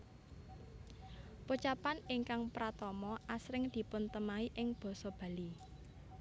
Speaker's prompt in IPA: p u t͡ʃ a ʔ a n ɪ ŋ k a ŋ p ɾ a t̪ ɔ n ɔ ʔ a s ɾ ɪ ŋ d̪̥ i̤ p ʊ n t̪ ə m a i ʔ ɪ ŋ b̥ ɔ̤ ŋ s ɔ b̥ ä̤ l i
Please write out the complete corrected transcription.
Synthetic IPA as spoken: p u t͡ʃ a p a n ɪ ŋ k a ŋ p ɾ a t̪ ɔ m ɔ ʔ a s ɾ ɪ ŋ d̪̥ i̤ p ʊ n t̪ ə m a i ʔ ɪ ŋ b̥ ɔ̤ s ɔ b̥ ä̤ l i